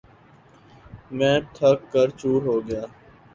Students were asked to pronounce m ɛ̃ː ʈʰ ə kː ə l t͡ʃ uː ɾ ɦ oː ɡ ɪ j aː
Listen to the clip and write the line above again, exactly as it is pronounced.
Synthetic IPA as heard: m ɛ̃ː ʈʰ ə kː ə ɾ t͡ʃ uː ɾ ɦ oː ɡ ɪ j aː